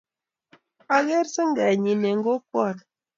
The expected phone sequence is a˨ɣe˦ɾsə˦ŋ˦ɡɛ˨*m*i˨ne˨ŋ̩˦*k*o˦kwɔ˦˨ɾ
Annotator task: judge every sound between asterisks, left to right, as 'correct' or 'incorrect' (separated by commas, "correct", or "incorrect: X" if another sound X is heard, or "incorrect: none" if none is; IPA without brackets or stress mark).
incorrect: ɲ, incorrect: ɡ